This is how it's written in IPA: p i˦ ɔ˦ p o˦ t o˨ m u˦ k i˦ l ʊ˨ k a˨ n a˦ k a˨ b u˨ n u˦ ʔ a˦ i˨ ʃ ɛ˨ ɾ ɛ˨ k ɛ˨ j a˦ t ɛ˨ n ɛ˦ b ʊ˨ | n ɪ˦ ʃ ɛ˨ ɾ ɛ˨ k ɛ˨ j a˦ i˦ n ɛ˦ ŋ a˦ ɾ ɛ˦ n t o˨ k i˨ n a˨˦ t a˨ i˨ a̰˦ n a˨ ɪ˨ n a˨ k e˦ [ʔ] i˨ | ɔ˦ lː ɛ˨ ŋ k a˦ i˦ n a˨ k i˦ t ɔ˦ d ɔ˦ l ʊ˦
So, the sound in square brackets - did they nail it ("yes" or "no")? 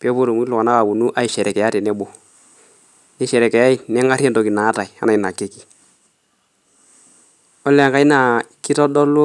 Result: no